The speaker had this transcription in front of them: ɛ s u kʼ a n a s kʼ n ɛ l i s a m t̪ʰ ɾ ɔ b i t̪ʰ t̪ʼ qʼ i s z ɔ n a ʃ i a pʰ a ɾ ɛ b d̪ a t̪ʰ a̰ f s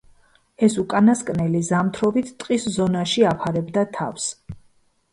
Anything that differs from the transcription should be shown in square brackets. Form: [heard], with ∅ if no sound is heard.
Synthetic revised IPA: ɛ s u kʼ a n a s kʼ n ɛ l i [z] a m t̪ʰ ɾ ɔ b i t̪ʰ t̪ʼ qʼ i s z ɔ n a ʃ i a pʰ a ɾ ɛ b d̪ a t̪ʰ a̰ f s